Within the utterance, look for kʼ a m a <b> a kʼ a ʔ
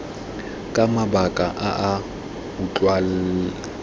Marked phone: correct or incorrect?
correct